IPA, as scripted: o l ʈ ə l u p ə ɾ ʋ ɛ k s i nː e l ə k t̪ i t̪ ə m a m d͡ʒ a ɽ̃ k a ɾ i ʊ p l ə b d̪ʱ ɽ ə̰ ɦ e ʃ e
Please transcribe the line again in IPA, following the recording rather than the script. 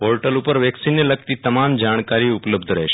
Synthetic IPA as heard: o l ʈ ə l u p ə ɾ ʋ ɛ k s i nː e l ə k t̪ i t̪ ə m a m d͡ʒ a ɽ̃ k a ɾ i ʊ p l ə b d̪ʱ ɾ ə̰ ɦ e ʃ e

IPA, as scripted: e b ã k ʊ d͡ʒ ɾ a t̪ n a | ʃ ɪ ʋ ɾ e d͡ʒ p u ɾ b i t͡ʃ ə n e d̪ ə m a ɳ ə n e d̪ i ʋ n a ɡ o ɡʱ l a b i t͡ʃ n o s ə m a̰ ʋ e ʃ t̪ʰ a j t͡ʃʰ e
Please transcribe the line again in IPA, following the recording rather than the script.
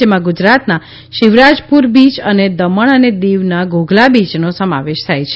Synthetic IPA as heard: e m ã ɡ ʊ d͡ʒ ɾ a t̪ n a | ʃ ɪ ʋ ɾ a d͡ʒ p u ɾ b i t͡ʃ ə n e d̪ ə m ə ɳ ə n e d̪ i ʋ n a ɡ o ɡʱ l a b i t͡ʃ n o s ə m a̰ ʋ e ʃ t̪ʰ a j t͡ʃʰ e

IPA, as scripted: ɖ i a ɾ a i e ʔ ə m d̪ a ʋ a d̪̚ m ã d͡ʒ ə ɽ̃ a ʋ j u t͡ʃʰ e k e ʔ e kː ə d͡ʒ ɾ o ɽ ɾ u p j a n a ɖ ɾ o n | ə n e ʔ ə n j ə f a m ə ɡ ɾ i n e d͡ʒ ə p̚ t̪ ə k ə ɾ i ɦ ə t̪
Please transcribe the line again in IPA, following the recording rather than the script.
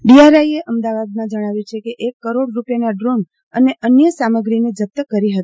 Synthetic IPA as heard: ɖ i a ɾ a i e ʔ ə m d̪ a ʋ a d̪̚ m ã d͡ʒ ə ɽ̃ a ʋ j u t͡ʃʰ e k e ʔ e kː ə ɾ o ɽ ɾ u p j a n a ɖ ɾ o n | ə n e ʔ ə n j ə s a m ə ɡ ɾ i n e d͡ʒ ə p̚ t̪ ə k ə ɾ i ɦ ə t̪

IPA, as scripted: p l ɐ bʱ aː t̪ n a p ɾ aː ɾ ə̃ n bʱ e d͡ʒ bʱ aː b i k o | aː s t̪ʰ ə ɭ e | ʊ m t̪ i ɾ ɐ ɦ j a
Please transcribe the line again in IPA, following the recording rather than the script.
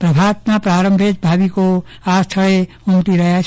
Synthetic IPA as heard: p ɾ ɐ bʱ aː t̪ n a p ɾ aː ɾ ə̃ m bʱ e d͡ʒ bʱ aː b i k o | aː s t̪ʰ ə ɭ e | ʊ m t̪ i ɾ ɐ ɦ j a

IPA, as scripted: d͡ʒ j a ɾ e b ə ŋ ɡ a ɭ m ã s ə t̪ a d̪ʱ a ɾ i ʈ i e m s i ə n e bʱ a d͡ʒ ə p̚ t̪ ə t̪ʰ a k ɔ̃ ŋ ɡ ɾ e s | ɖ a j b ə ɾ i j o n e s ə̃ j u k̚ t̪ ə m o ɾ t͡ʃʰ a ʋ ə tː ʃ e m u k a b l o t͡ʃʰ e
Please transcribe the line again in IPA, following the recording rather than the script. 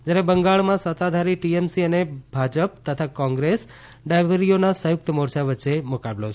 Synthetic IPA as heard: d͡ʒ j a ɾ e b ə ŋ ɡ a ɭ m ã s ə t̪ a d̪ʱ a ɾ i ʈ i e m s i ə n e bʱ a d͡ʒ ə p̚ t̪ ə t̪ʰ a k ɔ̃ ŋ ɡ ɾ e s | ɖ a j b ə ɾ i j o n a s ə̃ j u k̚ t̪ ə m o ɾ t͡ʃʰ a ʋ ə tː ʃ e m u k a b l o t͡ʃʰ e

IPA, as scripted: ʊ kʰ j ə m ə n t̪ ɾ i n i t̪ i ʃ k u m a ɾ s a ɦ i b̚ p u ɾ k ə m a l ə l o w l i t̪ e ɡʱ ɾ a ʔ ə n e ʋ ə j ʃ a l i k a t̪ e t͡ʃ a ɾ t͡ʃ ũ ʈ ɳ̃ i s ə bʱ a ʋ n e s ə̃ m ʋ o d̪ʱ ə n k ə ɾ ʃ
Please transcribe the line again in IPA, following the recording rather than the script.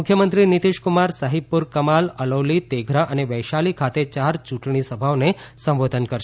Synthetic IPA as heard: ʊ kʰ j ə m ə n t̪ ɾ i n i t̪ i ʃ k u m a ɾ s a ɦ i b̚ p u ɾ k ə m a l ə l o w l i t̪ e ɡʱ ɾ a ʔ ə n e ʋ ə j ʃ a l i kʰ a t̪ e t͡ʃ a ɾ t͡ʃ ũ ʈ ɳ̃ i s ə bʱ a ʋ n e s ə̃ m ʋ o d̪ʱ ə n k ə ɾ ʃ

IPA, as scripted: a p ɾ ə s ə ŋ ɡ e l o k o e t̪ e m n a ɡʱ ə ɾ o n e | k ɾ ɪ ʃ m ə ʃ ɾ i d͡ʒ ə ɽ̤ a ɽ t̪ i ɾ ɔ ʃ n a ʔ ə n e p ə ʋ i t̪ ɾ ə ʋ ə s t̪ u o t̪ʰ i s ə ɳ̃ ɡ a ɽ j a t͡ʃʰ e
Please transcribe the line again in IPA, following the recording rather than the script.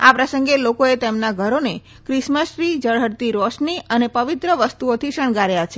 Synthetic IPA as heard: a p ɾ ə s ə ŋ ɡ e l o k o e t̪ e m n a ɡʱ ə ɾ o n e | k ɾ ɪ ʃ m ə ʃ ɾ i d͡ʒ ə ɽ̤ ə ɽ t̪ i ɾ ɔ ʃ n i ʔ ə n e p ə ʋ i t̪ ɾ ə ʋ ə s t̪ u o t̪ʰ i ʃ ə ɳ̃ ɡ a ɾ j a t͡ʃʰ e

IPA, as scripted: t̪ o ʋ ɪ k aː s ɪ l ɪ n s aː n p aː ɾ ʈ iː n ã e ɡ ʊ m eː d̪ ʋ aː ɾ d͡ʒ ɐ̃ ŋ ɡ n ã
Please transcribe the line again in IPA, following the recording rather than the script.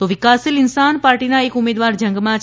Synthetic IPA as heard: t̪ o ʋ ɪ k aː s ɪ l ɪ n s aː n p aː ɾ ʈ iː n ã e k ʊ m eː d̪ ʋ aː ɾ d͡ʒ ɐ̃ ŋ ɡ m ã

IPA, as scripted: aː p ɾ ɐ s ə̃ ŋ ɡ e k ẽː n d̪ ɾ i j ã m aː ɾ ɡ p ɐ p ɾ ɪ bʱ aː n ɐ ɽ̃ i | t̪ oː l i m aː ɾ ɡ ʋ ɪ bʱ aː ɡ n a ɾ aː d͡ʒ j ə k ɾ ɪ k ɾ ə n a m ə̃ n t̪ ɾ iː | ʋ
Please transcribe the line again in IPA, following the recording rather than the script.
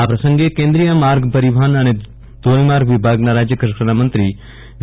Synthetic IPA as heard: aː p ɾ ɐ s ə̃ ŋ ɡ e k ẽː n d̪ ɾ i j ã m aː ɾ ɡ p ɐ ɾ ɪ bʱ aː n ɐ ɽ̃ e | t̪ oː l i m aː ɾ ɡ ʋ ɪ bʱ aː ɡ n a ɾ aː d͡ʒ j ə k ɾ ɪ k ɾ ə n a m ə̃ n t̪ ɾ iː | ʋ

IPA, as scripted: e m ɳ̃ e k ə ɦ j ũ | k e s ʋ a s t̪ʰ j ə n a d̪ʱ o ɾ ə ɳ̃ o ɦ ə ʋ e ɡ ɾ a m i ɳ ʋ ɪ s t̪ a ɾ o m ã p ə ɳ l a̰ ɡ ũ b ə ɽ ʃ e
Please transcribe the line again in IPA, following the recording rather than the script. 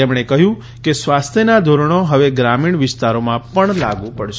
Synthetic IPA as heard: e m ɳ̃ e k ə ɦ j ũ | k e s ʋ a s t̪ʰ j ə n a d̪ʱ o ɾ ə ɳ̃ o ɦ ə ʋ e ɡ ɾ a m i ɳ ʋ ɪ s t̪ a ɾ o m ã p ə ɳ l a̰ ɡ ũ p ə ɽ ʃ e

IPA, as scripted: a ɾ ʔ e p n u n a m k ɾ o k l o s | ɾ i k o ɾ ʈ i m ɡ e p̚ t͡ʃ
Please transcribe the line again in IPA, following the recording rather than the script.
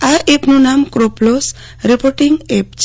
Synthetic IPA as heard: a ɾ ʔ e p n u n a m k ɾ o p l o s | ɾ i p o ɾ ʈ i ŋ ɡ e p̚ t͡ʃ

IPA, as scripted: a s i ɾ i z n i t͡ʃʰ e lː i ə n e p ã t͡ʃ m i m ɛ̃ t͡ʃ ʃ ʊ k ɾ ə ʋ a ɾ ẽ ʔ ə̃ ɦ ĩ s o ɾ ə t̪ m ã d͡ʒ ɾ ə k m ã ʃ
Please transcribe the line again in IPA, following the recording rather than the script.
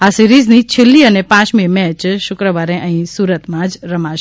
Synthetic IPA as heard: a s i ɾ i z n i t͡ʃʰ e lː i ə n e p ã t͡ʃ m i m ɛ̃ t͡ʃ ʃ ʊ k ɾ ə ʋ a ɾ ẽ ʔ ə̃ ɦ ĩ s u ɾ ə t̪ m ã d͡ʒ ɾ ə m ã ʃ

